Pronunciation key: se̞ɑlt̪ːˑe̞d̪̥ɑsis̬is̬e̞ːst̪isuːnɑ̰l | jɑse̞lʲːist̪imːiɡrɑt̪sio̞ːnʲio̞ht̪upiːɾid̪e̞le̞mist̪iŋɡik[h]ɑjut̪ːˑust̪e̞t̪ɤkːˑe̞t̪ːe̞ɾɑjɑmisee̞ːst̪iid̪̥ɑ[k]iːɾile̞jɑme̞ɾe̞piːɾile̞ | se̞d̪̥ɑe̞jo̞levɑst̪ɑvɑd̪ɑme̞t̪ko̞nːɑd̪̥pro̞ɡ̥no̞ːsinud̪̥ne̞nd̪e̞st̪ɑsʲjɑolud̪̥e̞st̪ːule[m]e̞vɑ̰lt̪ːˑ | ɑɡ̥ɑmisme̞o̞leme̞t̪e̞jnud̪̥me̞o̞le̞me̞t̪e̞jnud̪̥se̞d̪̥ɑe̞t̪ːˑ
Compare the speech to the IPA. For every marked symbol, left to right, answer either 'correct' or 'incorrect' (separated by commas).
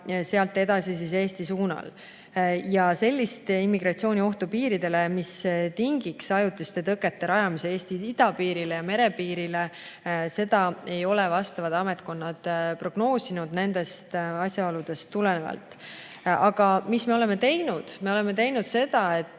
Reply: incorrect, incorrect, incorrect